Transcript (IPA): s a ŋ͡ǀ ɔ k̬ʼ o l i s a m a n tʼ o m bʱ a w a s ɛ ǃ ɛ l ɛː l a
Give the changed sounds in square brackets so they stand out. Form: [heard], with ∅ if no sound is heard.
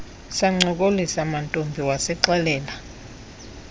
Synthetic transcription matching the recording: s a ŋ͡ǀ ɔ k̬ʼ o l i s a m a n tʼ o m bʱ [i] w a s ɛ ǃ ɛ l ɛː l a